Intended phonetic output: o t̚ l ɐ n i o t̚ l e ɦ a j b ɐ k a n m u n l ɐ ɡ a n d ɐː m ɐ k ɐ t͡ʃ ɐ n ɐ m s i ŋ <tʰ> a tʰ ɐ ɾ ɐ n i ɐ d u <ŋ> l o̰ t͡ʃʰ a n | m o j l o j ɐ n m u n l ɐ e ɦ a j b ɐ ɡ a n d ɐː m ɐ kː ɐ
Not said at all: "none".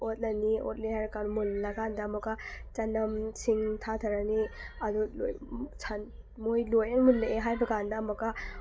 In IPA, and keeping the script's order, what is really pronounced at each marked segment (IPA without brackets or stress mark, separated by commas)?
tʰ, none